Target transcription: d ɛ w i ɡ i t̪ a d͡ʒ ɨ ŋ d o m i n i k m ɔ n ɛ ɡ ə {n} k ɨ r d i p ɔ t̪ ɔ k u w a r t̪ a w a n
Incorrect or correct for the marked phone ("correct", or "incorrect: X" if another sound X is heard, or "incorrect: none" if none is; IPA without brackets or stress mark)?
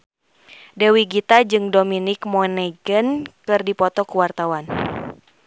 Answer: correct